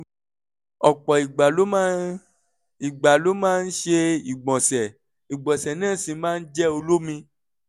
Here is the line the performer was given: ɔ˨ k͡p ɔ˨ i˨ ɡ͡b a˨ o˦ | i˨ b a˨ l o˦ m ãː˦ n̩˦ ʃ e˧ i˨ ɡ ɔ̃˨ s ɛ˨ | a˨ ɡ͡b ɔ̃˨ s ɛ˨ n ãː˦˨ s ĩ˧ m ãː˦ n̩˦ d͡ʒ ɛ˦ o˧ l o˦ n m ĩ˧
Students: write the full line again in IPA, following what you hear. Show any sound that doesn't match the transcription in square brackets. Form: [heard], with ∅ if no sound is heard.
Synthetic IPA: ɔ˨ k͡p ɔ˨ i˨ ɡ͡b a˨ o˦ | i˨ [ɡ͡b] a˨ l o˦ m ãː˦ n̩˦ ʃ e˧ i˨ [ɡ͡b] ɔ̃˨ s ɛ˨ | [i˨] ɡ͡b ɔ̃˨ s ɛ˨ n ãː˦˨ s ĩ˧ m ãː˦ n̩˦ d͡ʒ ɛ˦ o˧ l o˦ [∅] m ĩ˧